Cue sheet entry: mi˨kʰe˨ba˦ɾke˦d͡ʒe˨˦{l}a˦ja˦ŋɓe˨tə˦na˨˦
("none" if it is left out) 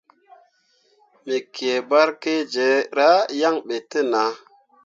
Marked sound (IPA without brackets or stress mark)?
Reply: ɾ